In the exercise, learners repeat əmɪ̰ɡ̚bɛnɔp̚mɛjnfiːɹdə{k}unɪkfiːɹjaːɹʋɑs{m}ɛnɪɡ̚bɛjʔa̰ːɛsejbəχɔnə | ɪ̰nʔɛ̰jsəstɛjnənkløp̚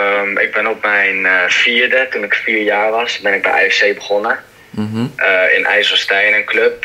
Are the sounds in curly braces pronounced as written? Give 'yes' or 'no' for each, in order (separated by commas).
no, no